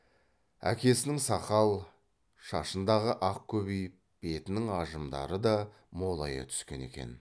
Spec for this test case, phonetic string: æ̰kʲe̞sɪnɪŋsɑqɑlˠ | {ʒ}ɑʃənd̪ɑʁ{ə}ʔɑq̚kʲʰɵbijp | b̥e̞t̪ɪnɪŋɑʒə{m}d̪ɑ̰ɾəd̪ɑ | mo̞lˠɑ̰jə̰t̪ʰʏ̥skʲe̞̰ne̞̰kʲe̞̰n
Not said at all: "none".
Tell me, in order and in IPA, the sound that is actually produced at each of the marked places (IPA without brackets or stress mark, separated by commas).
ʃ, ə, m